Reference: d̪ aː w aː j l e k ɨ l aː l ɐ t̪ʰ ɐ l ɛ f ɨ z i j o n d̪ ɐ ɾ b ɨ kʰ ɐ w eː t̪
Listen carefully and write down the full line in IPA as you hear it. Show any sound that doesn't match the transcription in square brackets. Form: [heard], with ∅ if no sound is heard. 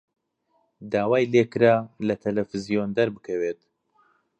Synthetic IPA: d̪ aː w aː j l e k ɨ [ɾ] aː l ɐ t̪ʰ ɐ l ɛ f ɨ z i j o n d̪ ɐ ɾ b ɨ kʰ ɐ w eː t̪